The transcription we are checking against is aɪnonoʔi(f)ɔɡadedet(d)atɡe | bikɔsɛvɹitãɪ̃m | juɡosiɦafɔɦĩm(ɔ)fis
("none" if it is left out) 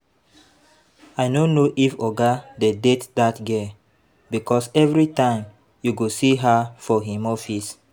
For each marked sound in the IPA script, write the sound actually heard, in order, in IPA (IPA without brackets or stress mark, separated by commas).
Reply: f, d, ɔ